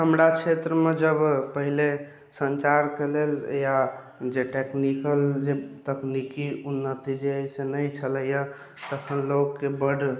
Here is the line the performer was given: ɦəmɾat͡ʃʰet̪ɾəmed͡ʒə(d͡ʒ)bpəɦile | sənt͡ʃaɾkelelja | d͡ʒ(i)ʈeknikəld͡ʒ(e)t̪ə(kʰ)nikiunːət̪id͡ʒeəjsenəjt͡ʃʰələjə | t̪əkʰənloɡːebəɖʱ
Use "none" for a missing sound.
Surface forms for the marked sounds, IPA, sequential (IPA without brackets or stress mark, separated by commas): none, e, e, k